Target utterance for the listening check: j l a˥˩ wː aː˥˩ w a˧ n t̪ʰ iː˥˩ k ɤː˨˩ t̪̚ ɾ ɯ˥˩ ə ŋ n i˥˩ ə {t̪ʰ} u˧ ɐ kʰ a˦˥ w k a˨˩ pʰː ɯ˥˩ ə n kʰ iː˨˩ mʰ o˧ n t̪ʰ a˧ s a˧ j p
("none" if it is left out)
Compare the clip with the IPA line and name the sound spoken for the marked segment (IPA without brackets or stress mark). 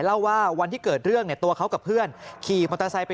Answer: t̪